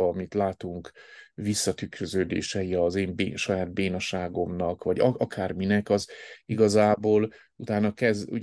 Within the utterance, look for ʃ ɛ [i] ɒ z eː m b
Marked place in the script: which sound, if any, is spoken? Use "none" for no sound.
i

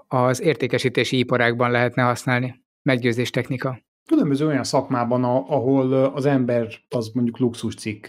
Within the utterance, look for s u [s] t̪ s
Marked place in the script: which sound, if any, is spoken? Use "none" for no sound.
ʃ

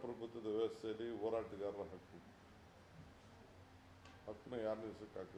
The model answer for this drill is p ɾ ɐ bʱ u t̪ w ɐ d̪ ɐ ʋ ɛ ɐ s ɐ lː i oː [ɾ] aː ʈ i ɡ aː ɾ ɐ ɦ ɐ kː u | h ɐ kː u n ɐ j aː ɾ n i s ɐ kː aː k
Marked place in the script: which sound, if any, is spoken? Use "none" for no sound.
ɾ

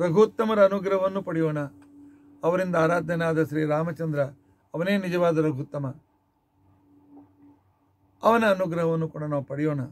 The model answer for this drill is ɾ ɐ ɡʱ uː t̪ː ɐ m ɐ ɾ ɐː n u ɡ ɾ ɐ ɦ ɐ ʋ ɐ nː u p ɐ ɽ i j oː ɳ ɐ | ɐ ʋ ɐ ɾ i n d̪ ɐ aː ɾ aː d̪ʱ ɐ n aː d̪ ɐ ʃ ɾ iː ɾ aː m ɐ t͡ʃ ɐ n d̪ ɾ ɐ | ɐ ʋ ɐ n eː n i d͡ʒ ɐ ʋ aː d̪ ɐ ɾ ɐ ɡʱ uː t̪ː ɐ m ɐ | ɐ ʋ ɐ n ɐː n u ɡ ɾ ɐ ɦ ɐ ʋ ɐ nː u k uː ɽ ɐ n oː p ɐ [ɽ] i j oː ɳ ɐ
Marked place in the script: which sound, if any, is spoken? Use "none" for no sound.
ɽ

